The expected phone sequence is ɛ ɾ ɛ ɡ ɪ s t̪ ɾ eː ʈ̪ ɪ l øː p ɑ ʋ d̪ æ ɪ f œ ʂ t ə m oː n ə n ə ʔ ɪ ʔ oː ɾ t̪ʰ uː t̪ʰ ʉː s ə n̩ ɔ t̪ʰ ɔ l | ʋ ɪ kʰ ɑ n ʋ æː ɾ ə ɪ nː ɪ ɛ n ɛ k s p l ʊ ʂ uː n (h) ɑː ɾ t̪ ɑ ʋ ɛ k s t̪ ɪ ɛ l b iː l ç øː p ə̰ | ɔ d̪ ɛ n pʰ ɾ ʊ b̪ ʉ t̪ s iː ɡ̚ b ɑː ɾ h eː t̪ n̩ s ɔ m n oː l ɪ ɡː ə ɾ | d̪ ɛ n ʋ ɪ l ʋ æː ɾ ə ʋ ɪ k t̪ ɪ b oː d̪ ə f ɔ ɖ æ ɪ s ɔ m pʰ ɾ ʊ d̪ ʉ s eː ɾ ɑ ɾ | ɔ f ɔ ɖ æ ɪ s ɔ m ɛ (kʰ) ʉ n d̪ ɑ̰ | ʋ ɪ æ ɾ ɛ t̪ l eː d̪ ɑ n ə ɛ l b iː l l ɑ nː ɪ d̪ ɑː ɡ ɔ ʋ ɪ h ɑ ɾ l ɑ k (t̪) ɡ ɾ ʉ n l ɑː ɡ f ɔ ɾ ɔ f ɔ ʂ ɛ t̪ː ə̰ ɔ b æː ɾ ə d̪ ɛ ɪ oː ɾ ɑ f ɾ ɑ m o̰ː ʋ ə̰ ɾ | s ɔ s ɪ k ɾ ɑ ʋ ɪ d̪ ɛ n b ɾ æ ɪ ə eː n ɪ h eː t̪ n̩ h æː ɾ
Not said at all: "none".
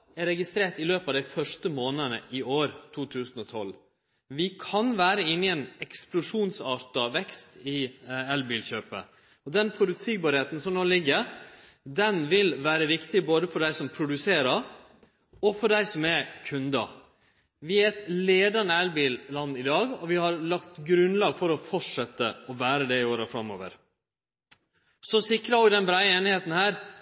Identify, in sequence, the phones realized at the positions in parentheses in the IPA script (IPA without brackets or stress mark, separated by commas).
s, kʰ, t̪